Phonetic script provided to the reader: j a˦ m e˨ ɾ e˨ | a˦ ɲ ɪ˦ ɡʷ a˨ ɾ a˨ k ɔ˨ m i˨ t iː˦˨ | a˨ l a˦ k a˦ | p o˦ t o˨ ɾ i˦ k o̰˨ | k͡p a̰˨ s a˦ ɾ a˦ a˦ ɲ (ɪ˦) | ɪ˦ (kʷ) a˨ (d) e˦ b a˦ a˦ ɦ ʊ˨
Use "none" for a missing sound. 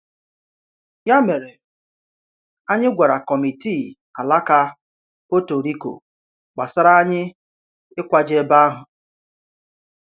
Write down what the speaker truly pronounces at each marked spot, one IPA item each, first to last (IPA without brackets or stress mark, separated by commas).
ɪ˦, kʷ, d͡ʒ